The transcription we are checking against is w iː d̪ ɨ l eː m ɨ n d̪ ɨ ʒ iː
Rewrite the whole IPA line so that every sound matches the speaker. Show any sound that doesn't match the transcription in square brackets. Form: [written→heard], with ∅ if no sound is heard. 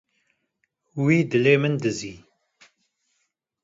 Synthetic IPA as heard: w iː d̪ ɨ l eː m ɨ n d̪ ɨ [ʒ→z] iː

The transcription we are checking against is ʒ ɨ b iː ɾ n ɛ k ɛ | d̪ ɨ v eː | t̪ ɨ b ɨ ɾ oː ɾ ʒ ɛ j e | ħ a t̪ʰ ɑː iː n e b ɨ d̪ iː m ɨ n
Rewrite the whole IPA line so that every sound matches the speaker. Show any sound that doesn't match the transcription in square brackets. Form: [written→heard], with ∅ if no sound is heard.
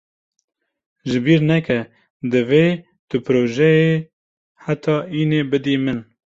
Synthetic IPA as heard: ʒ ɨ b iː ɾ n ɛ k ɛ | d̪ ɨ v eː | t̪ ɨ [b→p] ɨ ɾ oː [ɾ→∅] ʒ ɛ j e | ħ a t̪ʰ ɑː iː n e b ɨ d̪ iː m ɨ n

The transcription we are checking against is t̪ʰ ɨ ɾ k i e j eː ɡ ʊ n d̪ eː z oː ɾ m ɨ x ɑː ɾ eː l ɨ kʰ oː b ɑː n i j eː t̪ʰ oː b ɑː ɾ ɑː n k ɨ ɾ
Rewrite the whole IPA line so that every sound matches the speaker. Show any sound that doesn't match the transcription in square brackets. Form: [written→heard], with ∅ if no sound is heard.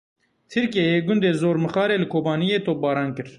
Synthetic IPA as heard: t̪ʰ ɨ ɾ k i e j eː ɡ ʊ n d̪ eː z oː ɾ m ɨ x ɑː ɾ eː l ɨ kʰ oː b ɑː n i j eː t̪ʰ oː b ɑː ɾ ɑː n k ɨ ɾ

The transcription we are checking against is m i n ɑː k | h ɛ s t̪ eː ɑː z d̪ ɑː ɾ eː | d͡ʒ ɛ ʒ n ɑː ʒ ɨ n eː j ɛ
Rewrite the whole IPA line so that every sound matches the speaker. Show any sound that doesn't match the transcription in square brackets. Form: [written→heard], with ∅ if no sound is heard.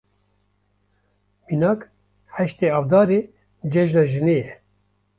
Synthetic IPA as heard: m i n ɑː k | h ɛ [s→ʃ] t̪ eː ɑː [z→v] d̪ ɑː ɾ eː | d͡ʒ ɛ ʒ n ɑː ʒ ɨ n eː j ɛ

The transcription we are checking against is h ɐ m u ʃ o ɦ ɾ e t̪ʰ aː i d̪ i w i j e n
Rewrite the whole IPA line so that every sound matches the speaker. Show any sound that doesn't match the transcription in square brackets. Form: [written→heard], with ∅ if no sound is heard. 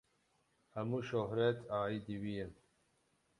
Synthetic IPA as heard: h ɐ m u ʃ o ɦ ɾ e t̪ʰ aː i d̪ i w i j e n

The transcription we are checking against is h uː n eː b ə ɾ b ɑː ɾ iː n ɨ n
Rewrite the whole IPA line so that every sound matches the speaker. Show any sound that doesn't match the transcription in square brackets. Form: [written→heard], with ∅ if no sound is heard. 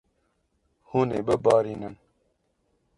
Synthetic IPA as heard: h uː n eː b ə [ɾ→∅] b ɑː ɾ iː n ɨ n

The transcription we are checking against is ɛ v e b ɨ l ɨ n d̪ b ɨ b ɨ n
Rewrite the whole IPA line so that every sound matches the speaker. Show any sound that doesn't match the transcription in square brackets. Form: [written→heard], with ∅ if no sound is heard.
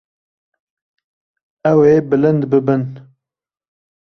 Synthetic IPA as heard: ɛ [v→w] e b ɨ l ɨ n d̪ b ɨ b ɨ n

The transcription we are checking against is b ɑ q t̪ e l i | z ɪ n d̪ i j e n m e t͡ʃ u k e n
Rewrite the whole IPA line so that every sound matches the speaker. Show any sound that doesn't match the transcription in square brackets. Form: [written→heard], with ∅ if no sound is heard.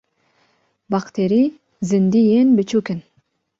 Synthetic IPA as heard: b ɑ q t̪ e [l→ɾ] i | z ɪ n d̪ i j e n [m→b] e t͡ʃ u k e n

